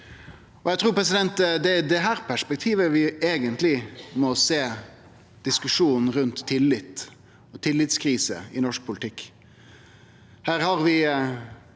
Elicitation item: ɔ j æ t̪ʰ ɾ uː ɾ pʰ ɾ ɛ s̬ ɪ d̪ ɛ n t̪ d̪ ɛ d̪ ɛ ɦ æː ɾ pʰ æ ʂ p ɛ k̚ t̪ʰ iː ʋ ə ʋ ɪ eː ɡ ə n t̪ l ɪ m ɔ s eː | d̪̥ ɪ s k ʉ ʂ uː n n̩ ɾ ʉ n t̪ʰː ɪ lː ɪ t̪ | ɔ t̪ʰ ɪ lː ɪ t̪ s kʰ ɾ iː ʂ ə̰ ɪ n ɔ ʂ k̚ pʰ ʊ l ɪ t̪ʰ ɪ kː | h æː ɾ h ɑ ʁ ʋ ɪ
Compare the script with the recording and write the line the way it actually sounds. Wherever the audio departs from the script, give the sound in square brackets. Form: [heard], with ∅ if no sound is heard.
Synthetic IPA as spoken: ɔ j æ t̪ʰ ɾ uː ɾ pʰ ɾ ɛ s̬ ɪ d̪ ɛ n t̪ d̪ ɛ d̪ ɛ ɦ æː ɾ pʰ æ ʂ p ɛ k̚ t̪ʰ iː ʋ ə ʋ ɪ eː ɡ ə n t̪ l ɪ m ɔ s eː | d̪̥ ɪ s k ʉ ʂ uː n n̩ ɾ ʉ n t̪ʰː ɪ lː ɪ t̪ | ɔ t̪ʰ ɪ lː ɪ t̪ s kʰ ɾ iː [s] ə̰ ɪ n ɔ ʂ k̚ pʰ ʊ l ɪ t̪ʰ ɪ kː | h æː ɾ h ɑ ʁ ʋ ɪ